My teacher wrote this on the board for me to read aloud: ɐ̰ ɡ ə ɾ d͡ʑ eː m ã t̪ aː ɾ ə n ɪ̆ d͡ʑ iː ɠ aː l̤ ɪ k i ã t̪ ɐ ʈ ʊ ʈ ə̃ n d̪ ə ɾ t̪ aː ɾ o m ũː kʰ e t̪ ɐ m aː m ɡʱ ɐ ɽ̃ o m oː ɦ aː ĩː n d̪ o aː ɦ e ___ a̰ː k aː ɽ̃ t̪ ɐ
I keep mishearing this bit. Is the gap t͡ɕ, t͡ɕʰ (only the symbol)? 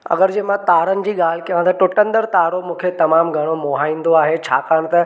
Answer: t͡ɕʰ